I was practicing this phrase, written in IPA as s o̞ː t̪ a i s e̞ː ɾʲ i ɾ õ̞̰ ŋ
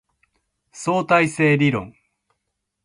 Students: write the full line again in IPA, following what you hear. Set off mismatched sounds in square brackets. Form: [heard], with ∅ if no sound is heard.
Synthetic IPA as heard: s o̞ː t̪ a i s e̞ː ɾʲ i ɾ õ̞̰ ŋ

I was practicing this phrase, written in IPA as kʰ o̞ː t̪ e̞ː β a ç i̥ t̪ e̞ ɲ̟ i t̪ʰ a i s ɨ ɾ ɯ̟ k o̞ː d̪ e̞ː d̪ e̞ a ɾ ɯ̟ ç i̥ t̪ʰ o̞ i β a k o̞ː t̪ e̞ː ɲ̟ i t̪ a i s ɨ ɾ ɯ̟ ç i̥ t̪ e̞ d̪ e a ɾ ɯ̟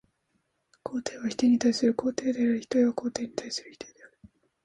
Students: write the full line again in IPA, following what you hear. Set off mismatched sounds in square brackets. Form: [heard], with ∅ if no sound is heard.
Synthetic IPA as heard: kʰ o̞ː t̪ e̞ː β a ç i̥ t̪ e̞ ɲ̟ i [t̪] a i s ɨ ɾ ɯ̟ k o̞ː [t̪] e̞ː d̪ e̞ a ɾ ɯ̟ ç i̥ [t̪] o̞ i β a k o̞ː t̪ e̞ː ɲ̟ i t̪ a i s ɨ ɾ ɯ̟ ç i̥ t̪ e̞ d̪ e a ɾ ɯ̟

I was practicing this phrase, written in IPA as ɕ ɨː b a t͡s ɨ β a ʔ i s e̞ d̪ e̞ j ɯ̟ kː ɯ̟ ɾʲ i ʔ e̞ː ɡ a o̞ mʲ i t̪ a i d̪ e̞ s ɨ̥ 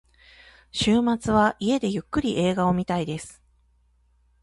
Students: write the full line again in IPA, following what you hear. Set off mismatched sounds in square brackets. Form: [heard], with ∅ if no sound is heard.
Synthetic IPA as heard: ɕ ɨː [m] a t͡s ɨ β a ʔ i [∅] e̞ d̪ e̞ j ɯ̟ kː ɯ̟ ɾʲ i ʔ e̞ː ɡ a o̞ mʲ i t̪ a i d̪ e̞ s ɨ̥

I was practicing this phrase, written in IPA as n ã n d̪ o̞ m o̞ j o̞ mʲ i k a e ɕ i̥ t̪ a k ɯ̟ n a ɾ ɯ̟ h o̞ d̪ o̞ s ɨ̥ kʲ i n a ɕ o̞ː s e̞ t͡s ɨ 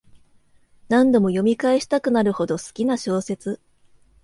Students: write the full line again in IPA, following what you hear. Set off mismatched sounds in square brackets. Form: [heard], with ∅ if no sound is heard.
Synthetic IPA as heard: n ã n d̪ o̞ m o̞ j o̞ mʲ i k a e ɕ i̥ t̪ a k ɯ̟ n a ɾ ɯ̟ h o̞ d̪ o̞ s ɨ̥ kʲ i n a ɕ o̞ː s e̞ t͡s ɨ

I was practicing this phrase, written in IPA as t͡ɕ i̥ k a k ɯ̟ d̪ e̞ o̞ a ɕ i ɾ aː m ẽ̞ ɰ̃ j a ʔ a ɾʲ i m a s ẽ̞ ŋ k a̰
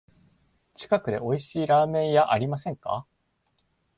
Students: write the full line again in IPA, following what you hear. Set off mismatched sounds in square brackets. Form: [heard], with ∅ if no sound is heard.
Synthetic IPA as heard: t͡ɕ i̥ k a k ɯ̟ d̪ e̞ o̞ [i] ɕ [iː] ɾ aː m ẽ̞ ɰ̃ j a ʔ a ɾʲ i m a s ẽ̞ ŋ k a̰

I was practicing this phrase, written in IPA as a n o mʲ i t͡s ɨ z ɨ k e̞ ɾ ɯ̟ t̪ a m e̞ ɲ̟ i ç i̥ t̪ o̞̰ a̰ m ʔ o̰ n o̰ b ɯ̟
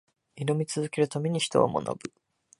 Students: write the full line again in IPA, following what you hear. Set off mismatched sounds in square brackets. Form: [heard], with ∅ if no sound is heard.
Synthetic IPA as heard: [i] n o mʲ i t͡s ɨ z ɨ k e̞ ɾ ɯ̟ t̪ a m e̞ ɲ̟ i ç i̥ t̪ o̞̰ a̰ m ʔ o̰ n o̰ b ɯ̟

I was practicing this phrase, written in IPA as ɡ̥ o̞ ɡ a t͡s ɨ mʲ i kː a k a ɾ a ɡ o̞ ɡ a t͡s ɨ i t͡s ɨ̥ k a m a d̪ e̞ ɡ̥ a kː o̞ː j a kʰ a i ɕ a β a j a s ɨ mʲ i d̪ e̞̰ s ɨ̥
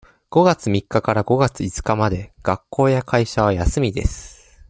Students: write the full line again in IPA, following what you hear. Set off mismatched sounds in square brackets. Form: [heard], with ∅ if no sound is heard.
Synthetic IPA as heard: ɡ̥ o̞ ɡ a t͡s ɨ mʲ i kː a k a ɾ a ɡ o̞ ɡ a t͡s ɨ i t͡s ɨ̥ k a m a d̪ e̞ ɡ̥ a kː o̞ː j a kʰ a i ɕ a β a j a s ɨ mʲ i d̪ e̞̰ s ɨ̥

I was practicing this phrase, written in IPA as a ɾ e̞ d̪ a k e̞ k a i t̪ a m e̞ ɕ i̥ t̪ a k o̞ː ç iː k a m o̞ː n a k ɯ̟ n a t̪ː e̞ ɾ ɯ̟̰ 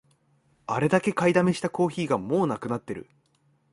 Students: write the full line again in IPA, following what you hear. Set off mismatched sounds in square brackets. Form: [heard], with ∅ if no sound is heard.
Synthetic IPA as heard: a ɾ e̞ d̪ a k e̞ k a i [d̪] a m e̞ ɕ i̥ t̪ a k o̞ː ç iː [ɡ] a m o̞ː n a k ɯ̟ n a t̪ː e̞ ɾ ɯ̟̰

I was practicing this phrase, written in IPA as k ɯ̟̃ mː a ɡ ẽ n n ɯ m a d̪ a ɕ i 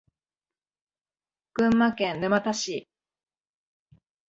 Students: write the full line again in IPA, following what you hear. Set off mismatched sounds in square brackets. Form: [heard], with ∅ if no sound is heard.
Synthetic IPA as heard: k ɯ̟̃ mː a [k] ẽ n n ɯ m a [t̪] a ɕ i

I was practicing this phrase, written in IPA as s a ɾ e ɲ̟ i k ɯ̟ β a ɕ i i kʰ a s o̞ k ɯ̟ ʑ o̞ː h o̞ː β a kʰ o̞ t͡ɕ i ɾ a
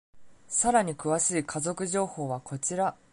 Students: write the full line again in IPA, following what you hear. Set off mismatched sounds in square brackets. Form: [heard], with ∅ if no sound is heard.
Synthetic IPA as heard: s a ɾ [a] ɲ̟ i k ɯ̟ β a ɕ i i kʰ a [z] o̞ k ɯ̟ ʑ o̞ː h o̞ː β a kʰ o̞ t͡ɕ i ɾ a

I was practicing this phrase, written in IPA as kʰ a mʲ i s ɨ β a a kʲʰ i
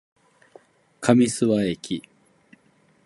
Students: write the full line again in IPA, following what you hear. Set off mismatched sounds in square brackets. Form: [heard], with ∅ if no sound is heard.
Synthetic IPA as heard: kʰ a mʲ i s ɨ β a [e] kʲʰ i

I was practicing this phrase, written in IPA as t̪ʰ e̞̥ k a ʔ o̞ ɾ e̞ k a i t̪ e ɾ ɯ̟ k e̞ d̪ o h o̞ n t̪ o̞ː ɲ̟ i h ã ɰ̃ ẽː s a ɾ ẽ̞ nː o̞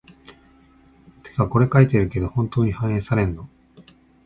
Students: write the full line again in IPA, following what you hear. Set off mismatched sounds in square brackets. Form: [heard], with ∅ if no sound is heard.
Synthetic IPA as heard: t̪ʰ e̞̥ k a [k] o̞ ɾ e̞ k a i t̪ e ɾ ɯ̟ k e̞ d̪ o h [õ̞] n t̪ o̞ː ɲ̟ i h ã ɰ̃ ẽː s a ɾ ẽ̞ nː o̞

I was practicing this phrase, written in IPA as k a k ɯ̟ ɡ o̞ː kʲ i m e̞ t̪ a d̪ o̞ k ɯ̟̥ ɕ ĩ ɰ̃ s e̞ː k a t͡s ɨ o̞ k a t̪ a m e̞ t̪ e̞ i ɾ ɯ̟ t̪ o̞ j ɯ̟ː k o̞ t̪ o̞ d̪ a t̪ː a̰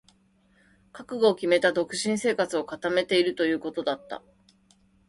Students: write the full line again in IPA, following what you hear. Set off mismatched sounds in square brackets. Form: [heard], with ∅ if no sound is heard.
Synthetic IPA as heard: k a k ɯ̟ ɡ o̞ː kʲ i m e̞ t̪ a d̪ o̞ k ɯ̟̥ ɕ ĩ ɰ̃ s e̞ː k a t͡s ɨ o̞ k a t̪ a m e̞ t̪ e̞ i ɾ ɯ̟ t̪ o̞ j ɯ̟ː k o̞ t̪ o̞ d̪ a t̪ː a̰

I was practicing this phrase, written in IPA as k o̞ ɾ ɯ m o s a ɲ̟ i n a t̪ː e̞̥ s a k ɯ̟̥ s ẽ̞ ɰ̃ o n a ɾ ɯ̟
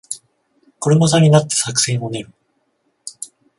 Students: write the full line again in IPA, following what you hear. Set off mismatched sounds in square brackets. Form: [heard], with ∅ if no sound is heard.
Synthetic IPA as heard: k o̞ ɾ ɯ m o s a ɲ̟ i n a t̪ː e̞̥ s a k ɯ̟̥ s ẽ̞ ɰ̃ o n [e] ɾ ɯ̟

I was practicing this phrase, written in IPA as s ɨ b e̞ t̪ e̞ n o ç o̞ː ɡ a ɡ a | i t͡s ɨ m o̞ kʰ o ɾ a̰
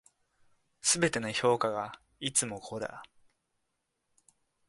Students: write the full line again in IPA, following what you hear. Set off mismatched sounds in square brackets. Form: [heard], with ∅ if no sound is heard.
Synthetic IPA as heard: s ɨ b e̞ t̪ e̞ n o ç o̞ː [k] a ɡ a | i t͡s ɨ m o̞ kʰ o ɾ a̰

